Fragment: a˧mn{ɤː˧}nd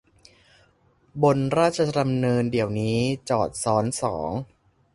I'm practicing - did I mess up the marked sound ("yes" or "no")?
no